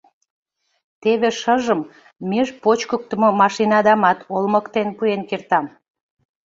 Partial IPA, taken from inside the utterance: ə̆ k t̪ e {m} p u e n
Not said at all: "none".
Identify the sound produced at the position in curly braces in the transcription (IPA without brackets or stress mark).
n